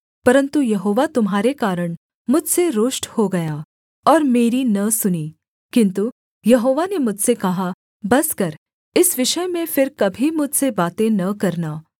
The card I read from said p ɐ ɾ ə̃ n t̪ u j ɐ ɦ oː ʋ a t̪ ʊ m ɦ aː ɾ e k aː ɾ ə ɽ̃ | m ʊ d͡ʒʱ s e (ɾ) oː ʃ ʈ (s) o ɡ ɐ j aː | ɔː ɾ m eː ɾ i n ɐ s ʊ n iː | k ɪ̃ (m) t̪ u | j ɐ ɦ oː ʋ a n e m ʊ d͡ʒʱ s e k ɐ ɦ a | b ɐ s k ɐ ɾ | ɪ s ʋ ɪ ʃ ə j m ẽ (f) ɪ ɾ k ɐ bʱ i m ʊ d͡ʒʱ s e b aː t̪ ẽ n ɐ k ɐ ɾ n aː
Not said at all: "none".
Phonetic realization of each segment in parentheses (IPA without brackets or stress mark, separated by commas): ɾ, h, n, f